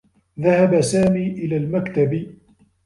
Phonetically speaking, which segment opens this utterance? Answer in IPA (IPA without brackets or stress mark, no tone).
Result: ð